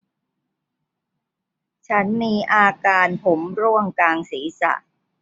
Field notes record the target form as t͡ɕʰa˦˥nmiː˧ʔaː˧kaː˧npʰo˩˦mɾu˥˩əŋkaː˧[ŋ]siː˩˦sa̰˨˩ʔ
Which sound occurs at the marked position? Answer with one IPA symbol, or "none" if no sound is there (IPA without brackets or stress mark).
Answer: ŋ